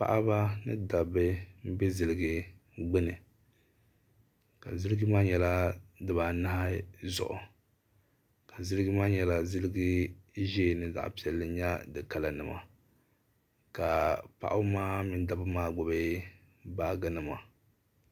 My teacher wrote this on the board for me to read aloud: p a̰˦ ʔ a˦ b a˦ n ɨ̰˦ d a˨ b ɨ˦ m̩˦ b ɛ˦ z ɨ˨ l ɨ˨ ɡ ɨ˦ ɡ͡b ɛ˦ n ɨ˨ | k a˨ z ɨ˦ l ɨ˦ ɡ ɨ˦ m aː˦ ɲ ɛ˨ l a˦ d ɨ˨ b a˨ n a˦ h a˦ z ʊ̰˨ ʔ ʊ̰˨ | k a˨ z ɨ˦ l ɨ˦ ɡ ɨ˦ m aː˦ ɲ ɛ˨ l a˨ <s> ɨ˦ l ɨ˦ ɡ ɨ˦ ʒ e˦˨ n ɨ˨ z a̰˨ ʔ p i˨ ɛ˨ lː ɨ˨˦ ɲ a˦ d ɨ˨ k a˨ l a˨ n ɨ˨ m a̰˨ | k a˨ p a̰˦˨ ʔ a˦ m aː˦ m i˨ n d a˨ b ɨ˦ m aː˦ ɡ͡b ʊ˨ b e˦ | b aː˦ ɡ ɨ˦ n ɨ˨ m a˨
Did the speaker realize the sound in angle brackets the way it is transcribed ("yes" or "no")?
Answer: no